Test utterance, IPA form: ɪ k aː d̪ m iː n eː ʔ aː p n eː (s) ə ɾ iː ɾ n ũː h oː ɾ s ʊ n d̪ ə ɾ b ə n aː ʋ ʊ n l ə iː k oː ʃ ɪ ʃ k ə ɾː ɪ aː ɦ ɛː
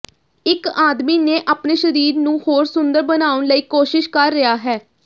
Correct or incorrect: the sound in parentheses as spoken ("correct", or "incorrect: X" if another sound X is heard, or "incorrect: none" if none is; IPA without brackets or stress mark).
incorrect: ʃ